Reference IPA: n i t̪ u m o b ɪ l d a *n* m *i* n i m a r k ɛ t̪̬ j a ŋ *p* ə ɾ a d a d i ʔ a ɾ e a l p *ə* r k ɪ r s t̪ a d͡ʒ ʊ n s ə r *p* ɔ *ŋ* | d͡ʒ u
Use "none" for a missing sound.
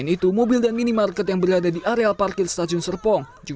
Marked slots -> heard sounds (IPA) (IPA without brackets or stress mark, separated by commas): n, i, b, a, p, ŋ